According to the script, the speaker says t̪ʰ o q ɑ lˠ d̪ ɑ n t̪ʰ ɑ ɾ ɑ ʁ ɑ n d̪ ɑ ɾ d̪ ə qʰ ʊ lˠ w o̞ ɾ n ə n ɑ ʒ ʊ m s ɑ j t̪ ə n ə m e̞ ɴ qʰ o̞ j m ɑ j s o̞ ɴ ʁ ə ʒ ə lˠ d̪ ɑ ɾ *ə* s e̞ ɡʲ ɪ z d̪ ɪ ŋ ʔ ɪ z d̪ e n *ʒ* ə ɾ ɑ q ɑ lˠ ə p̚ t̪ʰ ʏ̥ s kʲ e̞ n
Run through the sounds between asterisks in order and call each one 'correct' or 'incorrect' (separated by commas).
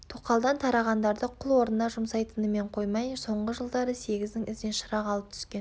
correct, incorrect